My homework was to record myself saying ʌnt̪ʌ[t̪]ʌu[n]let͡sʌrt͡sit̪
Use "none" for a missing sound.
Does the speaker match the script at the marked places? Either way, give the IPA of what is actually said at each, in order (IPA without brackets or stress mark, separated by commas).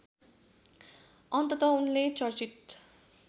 t̪, n